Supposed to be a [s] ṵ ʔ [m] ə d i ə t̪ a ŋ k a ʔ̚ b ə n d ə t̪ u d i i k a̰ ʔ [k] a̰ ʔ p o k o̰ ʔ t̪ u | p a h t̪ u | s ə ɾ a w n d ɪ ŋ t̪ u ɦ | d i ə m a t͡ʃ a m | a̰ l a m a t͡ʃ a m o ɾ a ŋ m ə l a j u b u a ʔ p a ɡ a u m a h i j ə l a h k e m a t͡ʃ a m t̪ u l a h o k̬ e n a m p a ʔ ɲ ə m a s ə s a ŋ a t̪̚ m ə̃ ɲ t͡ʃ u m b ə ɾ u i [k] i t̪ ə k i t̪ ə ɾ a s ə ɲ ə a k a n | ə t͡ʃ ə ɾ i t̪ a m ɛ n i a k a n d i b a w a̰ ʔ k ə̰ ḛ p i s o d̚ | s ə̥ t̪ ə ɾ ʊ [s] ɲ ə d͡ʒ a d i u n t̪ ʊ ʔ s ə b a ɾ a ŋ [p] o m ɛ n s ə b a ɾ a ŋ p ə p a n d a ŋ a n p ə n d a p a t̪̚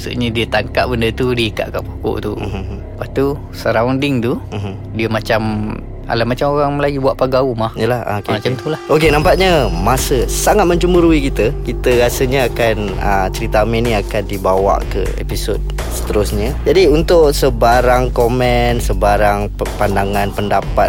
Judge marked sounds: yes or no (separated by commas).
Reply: yes, no, yes, yes, yes, no